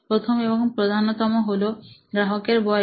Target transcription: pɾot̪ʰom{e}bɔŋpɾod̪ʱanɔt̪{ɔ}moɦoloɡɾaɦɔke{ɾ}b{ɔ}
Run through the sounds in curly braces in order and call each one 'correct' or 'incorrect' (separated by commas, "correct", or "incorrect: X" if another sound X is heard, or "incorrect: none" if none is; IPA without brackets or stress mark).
correct, correct, correct, correct